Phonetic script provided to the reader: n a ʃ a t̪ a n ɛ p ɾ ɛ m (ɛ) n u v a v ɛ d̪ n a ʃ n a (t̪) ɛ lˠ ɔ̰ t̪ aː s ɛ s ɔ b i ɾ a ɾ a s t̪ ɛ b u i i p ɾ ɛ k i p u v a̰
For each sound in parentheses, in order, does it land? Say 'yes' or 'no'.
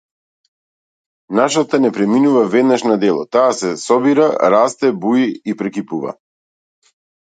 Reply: no, no

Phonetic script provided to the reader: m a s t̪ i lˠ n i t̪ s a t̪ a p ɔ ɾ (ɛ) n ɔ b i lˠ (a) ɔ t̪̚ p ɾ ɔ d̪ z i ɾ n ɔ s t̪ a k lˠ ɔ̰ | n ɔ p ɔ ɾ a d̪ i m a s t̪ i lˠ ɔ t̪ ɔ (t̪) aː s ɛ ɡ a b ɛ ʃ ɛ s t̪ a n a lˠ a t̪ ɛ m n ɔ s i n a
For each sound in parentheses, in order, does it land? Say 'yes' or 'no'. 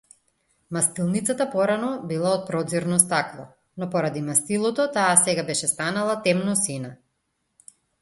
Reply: no, yes, yes

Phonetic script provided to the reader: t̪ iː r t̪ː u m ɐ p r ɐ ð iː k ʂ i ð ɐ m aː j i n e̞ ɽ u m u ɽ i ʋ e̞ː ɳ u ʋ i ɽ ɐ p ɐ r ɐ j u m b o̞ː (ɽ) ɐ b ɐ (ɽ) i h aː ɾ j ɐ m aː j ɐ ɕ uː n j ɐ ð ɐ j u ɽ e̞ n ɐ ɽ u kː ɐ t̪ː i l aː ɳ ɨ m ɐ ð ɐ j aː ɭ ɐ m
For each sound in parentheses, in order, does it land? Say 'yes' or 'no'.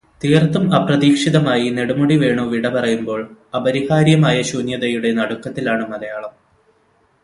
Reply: no, no

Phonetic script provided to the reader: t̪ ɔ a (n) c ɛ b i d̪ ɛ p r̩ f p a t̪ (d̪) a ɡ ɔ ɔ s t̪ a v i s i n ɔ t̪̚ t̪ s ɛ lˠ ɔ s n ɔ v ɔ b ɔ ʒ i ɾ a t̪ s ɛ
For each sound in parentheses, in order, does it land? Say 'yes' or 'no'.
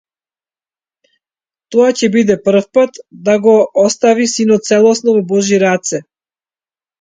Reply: no, yes

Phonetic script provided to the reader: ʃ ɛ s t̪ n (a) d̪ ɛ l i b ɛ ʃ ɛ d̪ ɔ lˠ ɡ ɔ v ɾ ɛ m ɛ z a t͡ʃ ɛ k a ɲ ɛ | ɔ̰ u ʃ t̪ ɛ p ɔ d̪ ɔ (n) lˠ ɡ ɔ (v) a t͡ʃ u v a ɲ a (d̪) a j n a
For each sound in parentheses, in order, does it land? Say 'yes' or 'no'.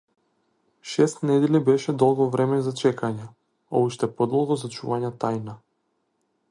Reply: no, no, no, no

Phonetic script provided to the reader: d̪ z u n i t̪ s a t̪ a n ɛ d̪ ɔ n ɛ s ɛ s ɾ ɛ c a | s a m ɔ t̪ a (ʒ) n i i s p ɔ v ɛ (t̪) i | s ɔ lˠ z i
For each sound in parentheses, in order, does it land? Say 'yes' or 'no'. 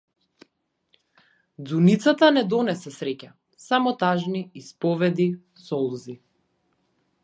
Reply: yes, no

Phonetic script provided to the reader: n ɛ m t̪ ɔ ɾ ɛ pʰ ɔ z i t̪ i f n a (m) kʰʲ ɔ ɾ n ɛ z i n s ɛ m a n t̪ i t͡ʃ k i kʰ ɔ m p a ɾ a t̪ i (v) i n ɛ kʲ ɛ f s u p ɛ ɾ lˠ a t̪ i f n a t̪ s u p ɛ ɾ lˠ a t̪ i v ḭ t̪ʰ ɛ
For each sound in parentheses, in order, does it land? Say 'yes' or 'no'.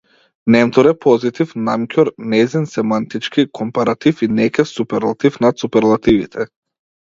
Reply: yes, no

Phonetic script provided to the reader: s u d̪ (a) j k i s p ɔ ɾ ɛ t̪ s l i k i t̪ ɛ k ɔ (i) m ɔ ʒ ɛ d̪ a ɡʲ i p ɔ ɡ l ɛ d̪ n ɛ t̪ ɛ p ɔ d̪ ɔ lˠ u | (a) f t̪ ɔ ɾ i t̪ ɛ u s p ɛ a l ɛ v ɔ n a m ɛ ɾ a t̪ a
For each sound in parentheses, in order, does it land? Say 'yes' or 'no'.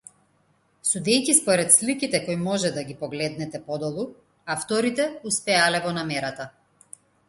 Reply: no, no, yes

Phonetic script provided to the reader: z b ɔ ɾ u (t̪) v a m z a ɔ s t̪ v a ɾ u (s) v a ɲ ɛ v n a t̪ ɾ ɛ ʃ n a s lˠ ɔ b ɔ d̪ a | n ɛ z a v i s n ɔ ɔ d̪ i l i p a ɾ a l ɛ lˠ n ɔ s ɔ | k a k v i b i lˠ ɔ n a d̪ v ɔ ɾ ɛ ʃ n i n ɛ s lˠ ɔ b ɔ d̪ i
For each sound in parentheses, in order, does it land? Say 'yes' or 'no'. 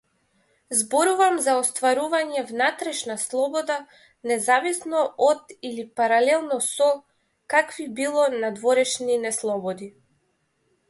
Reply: no, no

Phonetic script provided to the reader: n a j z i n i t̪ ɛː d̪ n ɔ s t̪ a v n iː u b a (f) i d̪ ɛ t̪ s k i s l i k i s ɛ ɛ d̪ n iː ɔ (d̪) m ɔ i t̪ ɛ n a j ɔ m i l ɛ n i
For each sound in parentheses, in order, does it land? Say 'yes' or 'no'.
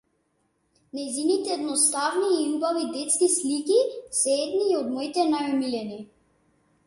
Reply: no, yes

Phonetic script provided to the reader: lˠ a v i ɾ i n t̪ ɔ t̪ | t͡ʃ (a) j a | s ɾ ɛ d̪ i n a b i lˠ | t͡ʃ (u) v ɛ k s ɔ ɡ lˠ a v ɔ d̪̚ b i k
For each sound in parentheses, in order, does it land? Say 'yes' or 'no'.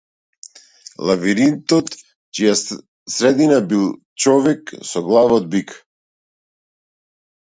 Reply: no, no

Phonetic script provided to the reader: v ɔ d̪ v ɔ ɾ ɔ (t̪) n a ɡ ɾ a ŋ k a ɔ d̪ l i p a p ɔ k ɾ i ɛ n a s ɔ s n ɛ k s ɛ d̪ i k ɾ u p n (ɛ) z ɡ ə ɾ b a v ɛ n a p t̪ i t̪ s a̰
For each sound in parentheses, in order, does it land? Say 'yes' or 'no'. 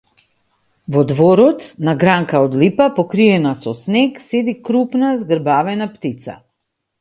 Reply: yes, no

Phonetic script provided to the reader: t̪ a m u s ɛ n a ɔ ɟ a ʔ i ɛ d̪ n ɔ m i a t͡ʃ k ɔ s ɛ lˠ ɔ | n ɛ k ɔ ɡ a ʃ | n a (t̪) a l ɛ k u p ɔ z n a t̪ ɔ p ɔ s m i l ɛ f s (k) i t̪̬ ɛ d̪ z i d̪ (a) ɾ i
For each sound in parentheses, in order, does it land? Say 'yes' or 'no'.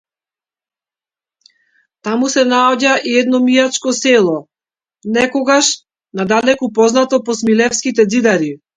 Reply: no, yes, yes

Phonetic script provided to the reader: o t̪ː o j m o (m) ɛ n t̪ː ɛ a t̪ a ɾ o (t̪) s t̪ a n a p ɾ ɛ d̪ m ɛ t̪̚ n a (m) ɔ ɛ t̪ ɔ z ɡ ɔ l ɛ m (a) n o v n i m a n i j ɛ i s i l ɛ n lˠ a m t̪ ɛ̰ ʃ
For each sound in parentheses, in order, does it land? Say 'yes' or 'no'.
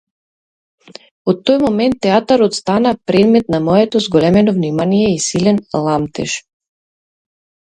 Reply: yes, yes, yes, no

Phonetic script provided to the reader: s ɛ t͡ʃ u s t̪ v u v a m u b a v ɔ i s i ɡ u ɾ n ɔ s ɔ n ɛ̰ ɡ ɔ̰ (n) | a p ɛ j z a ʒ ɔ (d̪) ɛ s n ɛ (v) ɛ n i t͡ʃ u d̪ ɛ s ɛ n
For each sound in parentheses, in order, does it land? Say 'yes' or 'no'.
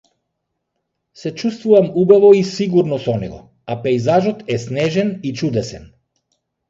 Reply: no, no, no

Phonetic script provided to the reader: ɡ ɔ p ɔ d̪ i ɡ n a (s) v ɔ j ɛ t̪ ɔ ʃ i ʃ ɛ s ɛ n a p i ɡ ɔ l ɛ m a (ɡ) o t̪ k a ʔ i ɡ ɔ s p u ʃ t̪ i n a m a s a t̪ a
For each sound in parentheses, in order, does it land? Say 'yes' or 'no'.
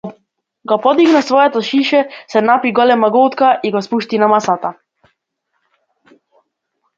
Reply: yes, yes

